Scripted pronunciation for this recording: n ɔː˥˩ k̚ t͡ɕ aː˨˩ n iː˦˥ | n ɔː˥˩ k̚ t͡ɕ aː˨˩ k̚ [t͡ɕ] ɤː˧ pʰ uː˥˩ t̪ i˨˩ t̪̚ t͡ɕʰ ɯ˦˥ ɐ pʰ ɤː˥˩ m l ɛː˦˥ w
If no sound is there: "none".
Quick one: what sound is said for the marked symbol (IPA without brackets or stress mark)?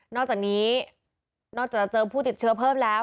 t͡ɕ